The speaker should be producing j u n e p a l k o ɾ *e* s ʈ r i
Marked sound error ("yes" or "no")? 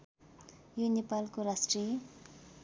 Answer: yes